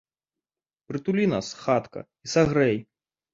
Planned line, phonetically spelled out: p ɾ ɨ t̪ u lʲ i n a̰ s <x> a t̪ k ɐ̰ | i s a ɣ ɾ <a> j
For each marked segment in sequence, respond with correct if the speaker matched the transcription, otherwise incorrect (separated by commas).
correct, incorrect